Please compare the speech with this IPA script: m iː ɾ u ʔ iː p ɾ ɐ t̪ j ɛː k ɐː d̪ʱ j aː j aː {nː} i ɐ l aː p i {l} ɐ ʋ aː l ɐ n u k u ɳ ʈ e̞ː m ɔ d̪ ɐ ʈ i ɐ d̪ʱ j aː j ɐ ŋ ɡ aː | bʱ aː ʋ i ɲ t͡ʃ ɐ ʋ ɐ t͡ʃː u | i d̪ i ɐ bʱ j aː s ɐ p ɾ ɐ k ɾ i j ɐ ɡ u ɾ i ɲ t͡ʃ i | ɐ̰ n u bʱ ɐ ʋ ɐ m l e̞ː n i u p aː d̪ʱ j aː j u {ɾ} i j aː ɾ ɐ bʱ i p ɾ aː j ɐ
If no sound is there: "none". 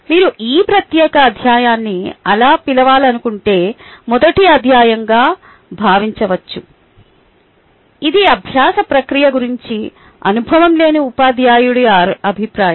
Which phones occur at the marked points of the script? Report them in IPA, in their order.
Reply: nː, l, ɽ

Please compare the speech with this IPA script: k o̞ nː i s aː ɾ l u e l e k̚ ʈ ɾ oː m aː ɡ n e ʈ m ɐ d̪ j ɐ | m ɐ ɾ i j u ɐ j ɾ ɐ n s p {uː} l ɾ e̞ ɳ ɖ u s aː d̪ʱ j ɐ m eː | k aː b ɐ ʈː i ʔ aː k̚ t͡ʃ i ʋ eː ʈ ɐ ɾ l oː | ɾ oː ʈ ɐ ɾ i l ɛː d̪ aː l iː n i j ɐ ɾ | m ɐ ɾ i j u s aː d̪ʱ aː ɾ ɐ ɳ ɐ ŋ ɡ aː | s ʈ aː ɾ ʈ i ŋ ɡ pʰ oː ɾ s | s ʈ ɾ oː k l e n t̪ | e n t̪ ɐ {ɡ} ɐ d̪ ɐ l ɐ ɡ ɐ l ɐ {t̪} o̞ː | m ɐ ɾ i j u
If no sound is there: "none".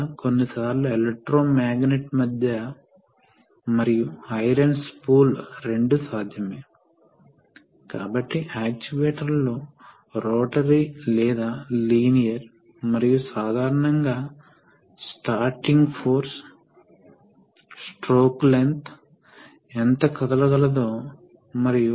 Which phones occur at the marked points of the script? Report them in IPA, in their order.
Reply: uː, k, d̪

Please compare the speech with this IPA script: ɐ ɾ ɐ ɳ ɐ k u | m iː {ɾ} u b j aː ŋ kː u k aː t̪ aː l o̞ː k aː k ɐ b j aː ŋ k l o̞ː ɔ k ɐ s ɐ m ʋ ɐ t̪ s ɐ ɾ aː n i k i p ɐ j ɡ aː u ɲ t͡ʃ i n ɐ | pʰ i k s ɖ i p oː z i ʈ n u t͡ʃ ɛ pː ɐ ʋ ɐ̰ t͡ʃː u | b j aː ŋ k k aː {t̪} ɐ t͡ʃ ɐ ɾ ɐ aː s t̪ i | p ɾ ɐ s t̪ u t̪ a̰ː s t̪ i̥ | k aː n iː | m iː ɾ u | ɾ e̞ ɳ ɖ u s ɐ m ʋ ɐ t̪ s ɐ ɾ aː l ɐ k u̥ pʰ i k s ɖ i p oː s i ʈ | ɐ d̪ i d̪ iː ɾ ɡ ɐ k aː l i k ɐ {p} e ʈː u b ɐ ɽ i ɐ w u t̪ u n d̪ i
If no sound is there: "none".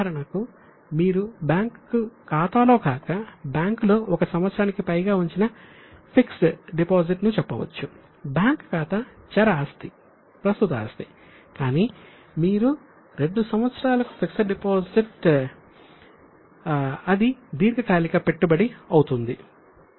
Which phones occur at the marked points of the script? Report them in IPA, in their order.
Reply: ɾ, t̪, p

